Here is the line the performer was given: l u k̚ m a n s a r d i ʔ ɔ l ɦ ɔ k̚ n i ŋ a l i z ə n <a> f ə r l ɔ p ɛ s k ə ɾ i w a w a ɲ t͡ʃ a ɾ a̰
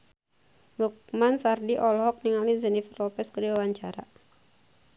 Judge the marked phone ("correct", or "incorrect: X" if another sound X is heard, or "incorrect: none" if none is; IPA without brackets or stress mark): incorrect: i